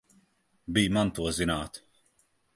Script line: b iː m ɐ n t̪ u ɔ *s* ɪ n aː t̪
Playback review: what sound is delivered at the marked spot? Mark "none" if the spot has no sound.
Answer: z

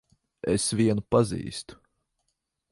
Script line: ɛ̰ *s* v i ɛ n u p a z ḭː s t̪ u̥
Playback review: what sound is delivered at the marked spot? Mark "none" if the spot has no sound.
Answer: s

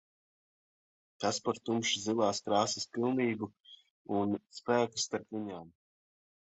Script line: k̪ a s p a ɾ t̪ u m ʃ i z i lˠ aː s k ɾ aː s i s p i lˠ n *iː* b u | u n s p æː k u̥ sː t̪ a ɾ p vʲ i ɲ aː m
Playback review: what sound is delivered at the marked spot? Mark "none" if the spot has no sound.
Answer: iː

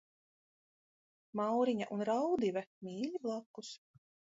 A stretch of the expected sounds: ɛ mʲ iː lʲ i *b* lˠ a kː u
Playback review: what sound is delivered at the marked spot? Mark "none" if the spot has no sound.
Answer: b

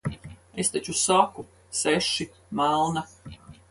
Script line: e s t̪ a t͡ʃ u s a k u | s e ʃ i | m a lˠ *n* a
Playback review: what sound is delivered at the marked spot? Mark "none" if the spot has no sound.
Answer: n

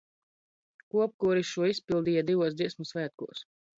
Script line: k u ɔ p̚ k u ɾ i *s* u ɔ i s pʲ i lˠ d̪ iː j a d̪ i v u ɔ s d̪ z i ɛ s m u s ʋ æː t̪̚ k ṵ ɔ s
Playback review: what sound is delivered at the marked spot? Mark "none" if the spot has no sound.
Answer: ʃ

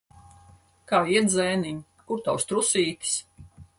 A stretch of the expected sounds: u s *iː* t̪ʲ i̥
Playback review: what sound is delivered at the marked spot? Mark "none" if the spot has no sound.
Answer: iː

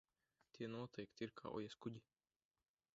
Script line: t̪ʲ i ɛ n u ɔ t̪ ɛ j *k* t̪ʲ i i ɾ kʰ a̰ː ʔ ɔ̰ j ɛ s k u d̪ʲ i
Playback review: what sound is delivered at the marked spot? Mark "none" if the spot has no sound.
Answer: k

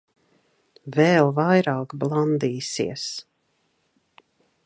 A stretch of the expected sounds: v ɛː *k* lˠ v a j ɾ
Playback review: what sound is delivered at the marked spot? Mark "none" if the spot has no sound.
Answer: none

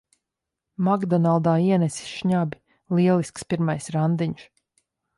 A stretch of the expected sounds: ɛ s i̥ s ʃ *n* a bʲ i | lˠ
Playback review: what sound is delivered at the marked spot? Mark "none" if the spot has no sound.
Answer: ɲ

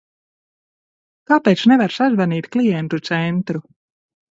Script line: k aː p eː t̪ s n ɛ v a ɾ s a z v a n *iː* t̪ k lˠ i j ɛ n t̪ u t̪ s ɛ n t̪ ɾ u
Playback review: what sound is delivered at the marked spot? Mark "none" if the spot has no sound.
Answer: iː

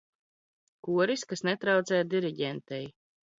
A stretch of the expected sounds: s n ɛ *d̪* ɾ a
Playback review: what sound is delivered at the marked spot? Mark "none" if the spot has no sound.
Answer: t̪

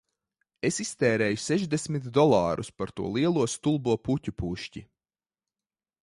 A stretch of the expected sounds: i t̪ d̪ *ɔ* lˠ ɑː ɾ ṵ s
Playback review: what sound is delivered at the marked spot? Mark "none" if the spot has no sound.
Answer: ɔ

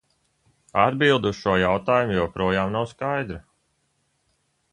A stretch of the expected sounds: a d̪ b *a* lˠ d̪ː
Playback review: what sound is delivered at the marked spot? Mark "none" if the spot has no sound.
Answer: i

